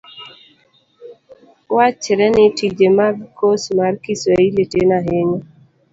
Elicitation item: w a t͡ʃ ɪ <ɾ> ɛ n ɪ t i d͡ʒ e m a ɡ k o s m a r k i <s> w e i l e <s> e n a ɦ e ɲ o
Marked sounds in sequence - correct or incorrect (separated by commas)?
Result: correct, correct, incorrect